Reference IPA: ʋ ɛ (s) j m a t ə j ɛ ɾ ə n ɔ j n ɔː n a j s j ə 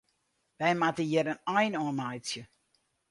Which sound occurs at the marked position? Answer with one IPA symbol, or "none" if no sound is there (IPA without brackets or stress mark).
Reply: none